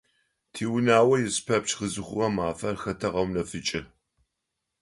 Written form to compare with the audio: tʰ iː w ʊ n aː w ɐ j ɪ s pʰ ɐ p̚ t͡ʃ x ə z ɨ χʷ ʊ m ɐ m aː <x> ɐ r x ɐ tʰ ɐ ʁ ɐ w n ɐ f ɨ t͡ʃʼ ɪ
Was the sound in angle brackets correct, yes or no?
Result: no